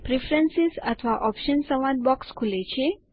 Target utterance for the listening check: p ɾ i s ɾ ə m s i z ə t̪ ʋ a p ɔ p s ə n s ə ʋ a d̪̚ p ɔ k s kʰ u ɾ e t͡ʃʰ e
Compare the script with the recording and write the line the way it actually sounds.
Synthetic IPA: p ɾ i f ɾ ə n s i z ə t̪ʰ ʋ a ʔ ɔ p ʃ ə n s ə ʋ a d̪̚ b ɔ k s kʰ u l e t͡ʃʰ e